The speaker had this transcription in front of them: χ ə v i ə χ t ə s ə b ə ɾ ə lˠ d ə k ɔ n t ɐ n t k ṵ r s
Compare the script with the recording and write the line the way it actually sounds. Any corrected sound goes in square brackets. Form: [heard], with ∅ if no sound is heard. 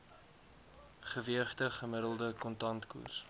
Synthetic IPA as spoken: χ ə v i ə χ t ə [χ] ə [m] ə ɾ ə lˠ d ə k ɔ n t ɐ n t k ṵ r s